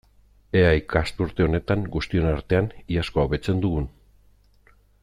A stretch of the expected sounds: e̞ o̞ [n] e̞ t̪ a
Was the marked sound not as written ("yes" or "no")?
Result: no